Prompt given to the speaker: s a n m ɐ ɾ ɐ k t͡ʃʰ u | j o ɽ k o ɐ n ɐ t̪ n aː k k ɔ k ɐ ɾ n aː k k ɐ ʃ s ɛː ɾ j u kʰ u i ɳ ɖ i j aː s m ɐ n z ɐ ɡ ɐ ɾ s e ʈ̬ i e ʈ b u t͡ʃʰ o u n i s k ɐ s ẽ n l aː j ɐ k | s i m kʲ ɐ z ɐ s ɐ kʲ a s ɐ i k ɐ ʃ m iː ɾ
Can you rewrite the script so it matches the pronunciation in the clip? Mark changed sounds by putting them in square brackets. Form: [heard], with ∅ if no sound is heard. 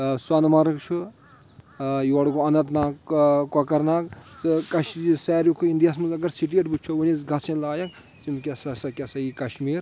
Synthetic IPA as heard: s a n m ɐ ɾ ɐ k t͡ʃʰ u | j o ɽ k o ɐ n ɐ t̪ n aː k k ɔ k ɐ ɾ n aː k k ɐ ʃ s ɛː ɾ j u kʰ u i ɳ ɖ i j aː s m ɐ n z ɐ ɡ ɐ ɾ s [i] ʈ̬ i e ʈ b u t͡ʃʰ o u n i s [ɡ] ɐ s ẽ n l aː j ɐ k | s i m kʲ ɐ [s] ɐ s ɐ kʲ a s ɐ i k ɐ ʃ m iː ɾ